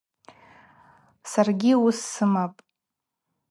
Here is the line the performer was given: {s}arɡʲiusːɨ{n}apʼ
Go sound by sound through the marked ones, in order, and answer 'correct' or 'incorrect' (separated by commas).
correct, incorrect